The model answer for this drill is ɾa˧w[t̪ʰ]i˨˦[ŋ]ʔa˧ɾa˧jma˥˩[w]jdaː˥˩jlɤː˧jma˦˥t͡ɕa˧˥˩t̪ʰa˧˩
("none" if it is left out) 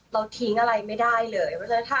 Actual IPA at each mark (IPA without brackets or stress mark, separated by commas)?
t̪ʰ, ŋ, none